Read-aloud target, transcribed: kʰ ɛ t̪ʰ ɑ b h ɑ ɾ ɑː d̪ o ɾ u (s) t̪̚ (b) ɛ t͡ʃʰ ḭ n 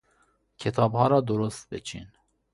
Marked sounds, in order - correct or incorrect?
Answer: correct, correct

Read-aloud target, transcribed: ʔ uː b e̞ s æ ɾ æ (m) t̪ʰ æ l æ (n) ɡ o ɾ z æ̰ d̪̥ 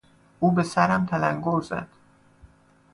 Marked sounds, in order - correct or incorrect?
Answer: correct, incorrect: ŋ

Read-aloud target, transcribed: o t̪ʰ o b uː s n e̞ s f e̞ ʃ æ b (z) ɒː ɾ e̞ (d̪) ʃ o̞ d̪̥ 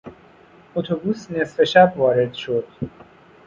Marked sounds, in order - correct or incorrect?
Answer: incorrect: v, correct

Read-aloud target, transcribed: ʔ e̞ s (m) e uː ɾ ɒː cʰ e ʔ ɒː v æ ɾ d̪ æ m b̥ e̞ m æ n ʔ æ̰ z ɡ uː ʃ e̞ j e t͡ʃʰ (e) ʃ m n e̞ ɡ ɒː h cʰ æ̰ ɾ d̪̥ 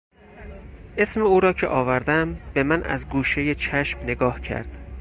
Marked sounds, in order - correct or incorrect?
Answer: correct, incorrect: æ

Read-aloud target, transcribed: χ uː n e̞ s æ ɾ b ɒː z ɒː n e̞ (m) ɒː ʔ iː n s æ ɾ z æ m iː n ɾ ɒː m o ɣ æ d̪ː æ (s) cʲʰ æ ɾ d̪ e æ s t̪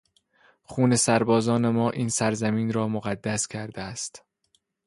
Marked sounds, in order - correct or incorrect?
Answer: correct, correct

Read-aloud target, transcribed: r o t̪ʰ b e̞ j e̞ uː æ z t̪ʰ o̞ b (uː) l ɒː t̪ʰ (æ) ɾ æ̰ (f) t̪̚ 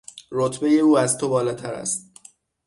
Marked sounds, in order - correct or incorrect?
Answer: incorrect: ɒː, correct, incorrect: s

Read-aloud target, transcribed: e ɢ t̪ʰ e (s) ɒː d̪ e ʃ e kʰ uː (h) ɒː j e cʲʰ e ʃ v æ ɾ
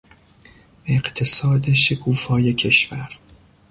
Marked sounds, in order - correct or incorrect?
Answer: correct, incorrect: f

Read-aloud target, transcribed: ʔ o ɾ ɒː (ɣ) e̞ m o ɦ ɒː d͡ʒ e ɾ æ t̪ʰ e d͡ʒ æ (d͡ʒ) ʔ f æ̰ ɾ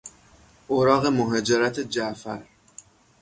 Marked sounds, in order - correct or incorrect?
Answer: correct, incorrect: none

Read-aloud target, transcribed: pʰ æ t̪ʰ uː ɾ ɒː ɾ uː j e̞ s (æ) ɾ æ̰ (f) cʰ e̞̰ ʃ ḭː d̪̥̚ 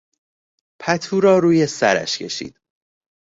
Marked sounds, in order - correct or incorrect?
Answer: correct, incorrect: ʃ

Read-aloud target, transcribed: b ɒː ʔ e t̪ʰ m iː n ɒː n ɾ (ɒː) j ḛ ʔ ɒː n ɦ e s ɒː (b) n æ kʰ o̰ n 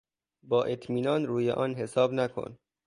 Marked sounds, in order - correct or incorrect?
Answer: incorrect: uː, correct

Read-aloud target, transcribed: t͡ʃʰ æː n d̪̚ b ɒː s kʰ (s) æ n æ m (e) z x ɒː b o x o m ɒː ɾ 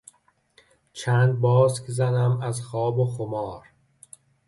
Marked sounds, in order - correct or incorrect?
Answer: incorrect: z, incorrect: æ

